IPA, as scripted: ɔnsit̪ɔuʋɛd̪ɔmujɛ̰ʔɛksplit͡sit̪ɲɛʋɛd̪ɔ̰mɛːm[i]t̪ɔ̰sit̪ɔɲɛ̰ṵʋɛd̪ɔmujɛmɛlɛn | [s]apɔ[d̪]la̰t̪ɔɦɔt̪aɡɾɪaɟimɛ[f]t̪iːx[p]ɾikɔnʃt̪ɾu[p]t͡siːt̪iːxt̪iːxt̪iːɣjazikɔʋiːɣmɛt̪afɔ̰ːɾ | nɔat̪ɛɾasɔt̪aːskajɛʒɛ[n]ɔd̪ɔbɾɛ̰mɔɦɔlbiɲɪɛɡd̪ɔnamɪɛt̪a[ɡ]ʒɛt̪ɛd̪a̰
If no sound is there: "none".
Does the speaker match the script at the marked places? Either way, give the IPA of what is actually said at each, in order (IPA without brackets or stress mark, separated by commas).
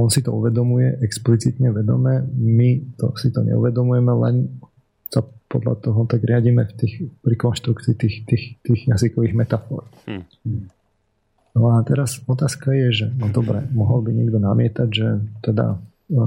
i, s, d̪, f, p, k, n, ɟ